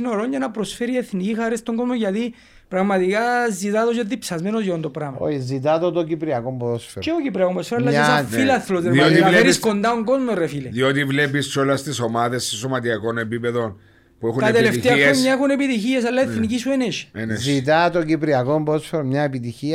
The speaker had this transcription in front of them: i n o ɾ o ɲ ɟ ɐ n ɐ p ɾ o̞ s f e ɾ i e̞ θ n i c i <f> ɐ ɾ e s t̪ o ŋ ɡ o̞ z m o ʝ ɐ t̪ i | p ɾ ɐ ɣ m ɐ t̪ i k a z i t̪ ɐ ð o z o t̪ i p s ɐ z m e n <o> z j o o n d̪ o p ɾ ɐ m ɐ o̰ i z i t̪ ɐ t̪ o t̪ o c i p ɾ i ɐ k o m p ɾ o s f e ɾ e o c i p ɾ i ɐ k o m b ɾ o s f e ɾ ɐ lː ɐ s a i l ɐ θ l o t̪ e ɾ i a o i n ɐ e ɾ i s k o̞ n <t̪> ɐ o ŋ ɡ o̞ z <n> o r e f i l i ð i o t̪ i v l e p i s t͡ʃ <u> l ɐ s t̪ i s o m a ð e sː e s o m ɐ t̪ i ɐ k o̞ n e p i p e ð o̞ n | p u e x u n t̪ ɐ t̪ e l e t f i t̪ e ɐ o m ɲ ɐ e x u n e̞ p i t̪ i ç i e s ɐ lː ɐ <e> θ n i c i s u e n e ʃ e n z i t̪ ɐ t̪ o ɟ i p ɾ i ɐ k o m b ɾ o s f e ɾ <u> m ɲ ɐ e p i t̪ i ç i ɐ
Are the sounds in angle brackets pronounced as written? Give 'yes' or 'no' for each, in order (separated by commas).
no, yes, no, no, no, yes, no